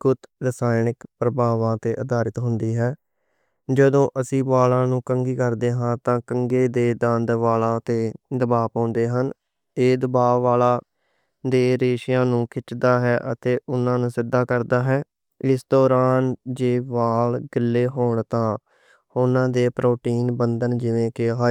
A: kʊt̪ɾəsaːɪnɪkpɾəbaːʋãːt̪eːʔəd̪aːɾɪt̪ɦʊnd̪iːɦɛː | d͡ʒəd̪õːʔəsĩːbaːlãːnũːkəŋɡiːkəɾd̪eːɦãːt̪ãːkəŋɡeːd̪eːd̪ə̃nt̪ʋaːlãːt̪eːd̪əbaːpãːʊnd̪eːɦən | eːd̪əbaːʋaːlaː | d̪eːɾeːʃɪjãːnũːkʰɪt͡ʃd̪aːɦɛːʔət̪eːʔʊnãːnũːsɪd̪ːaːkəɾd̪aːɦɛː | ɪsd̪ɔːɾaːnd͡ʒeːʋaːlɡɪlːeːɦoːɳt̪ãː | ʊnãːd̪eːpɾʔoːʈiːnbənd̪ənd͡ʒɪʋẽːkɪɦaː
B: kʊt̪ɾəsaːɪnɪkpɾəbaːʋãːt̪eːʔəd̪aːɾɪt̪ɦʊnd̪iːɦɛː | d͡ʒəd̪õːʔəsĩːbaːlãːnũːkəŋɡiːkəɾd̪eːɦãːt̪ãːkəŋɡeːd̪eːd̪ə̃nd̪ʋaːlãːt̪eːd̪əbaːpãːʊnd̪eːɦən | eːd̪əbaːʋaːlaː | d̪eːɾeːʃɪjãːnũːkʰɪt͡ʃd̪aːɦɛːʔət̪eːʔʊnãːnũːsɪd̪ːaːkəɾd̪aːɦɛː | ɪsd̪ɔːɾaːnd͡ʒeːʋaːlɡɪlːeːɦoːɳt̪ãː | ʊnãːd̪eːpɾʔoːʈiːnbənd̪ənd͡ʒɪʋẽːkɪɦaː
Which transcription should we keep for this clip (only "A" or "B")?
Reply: B